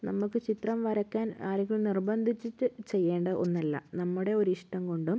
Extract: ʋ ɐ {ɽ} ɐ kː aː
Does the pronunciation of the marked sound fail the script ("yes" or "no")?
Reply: yes